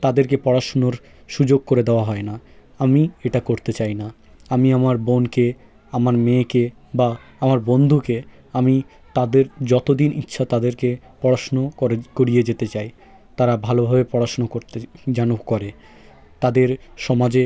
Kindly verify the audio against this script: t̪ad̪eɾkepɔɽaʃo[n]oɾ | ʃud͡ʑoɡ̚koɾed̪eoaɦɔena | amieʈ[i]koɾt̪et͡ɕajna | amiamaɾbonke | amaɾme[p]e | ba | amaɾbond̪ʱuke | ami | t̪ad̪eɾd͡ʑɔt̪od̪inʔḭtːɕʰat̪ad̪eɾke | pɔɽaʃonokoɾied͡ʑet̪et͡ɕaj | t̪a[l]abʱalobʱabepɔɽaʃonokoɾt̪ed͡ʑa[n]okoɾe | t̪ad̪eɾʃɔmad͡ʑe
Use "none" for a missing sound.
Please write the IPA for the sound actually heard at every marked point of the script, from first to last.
n, a, k, ɾ, n

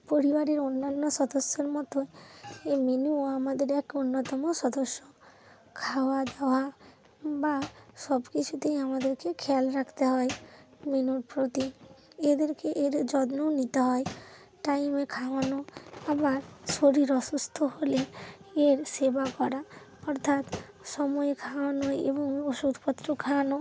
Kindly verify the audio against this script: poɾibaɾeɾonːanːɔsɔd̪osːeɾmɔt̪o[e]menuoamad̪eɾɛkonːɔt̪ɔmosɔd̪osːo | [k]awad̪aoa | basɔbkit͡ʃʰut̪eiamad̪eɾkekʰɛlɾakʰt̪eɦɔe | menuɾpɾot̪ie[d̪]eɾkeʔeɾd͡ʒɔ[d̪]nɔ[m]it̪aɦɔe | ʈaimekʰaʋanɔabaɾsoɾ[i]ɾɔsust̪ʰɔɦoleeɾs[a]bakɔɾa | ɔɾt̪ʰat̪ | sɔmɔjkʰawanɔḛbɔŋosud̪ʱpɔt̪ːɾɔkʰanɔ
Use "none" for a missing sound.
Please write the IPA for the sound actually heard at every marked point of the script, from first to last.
e, kʰ, d̪, d̪, n, i, e

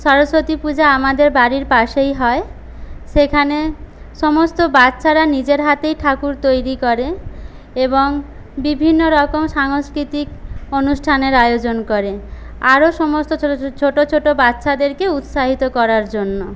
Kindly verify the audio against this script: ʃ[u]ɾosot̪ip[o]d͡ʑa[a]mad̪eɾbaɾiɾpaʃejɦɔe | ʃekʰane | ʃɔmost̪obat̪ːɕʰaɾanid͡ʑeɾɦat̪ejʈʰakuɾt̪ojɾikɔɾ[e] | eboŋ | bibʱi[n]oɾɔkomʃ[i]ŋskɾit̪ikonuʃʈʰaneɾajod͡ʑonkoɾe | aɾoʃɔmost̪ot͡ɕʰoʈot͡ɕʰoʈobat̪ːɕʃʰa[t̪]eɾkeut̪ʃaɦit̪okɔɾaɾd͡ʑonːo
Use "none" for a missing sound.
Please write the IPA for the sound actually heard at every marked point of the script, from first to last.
ɔ, u, a, e, nː, a, d̪

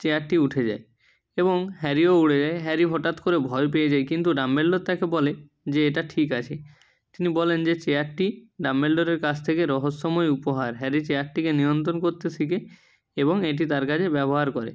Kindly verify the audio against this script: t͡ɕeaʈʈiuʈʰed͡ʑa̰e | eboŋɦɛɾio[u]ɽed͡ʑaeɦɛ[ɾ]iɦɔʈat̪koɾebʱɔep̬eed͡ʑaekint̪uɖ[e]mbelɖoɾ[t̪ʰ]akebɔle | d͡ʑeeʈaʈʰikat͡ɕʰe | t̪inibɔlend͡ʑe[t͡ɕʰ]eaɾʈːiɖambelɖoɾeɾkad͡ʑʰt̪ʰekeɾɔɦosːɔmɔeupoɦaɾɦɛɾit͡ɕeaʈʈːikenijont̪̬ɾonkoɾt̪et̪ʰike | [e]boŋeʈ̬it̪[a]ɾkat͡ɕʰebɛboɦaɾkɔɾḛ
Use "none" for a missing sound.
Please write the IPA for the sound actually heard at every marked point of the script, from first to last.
u, ɾ, a, t̪, t͡ɕ, e, a

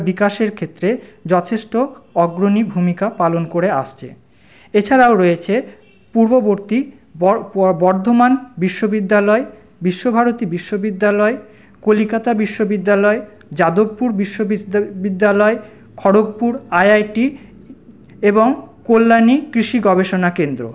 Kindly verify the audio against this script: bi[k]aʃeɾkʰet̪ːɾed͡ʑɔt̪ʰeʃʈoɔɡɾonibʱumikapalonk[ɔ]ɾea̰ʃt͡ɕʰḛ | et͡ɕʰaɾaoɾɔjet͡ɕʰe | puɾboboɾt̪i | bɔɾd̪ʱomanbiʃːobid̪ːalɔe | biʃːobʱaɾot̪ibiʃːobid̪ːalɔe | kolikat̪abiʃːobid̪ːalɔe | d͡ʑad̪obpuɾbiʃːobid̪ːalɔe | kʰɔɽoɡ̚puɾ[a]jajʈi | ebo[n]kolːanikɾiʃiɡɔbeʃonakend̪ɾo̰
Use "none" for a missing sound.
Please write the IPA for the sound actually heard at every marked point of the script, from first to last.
k, o, a, ŋ

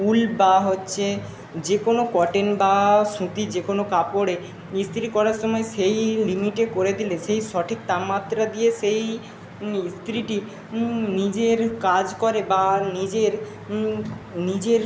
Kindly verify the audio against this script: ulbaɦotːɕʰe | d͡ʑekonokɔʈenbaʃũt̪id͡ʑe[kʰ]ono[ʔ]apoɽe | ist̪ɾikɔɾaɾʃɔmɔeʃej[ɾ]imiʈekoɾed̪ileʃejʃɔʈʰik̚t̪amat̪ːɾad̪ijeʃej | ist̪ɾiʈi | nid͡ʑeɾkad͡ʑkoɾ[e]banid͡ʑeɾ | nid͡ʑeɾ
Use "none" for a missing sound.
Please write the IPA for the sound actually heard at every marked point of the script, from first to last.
k, k, l, e

